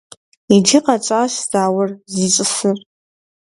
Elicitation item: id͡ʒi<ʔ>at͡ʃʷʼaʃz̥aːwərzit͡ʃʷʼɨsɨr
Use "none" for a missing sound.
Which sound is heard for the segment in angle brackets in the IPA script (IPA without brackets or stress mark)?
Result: q